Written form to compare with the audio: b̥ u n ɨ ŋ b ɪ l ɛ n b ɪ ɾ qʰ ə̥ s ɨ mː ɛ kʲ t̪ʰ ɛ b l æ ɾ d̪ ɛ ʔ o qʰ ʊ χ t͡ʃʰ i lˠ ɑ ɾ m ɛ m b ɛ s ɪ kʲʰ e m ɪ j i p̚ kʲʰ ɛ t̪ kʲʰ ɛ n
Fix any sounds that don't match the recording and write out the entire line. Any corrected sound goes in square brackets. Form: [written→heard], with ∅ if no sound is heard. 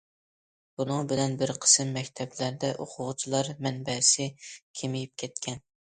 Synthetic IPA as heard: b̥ u n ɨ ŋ b ɪ l ɛ n b ɪ ɾ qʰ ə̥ s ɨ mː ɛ kʲ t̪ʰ ɛ b l æ ɾ d̪ ɛ ʔ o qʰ ʊ [χ→ʁ] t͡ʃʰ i lˠ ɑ ɾ m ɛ [m→n] b ɛ s ɪ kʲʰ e m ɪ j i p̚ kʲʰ ɛ t̪ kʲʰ ɛ n